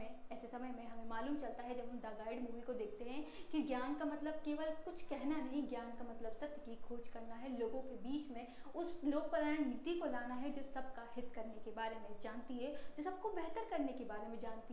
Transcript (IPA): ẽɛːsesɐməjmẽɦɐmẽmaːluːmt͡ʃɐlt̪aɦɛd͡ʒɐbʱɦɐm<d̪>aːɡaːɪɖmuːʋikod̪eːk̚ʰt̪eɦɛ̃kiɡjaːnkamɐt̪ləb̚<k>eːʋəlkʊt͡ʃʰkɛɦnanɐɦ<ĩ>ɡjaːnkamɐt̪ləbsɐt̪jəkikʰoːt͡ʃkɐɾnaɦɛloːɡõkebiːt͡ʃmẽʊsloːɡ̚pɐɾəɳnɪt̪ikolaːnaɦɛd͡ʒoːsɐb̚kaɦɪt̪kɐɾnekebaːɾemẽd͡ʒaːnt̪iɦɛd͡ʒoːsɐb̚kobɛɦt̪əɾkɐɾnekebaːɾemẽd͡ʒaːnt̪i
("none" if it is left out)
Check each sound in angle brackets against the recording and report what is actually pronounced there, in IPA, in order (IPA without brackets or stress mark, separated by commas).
d̪, k, ĩ